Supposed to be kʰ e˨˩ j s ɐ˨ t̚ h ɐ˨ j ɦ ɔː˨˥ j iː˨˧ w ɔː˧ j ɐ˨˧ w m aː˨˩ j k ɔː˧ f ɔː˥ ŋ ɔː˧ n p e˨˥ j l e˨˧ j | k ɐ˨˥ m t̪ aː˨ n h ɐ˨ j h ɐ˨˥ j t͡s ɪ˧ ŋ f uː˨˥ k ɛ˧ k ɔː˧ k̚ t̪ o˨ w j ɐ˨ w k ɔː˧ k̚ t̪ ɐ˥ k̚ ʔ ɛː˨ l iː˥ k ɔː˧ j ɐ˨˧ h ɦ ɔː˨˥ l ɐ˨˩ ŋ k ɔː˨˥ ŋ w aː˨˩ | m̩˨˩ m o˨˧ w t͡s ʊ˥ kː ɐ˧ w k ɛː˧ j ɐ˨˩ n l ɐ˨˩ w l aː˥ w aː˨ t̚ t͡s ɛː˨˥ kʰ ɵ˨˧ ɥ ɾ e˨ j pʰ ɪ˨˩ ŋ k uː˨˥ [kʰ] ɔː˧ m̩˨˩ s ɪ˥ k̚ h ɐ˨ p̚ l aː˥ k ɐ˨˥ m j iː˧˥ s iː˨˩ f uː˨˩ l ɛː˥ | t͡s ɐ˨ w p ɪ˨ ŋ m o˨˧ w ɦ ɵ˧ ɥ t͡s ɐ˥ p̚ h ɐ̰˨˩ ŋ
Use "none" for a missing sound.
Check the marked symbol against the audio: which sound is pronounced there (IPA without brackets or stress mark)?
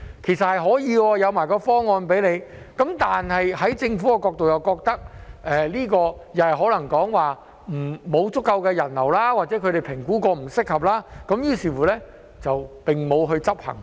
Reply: k